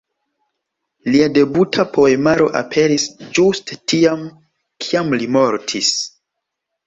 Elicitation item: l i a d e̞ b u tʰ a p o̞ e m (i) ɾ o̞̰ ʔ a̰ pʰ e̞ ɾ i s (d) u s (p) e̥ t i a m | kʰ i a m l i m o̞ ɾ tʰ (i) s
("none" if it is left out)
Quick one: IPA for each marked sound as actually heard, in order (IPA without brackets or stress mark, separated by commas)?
a, d͡ʒ, t, i